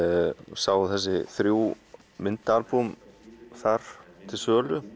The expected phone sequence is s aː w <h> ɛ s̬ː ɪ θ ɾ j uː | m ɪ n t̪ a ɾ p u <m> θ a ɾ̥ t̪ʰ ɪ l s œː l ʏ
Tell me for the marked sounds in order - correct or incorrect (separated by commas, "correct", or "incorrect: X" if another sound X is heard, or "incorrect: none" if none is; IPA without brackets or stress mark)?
incorrect: θ, correct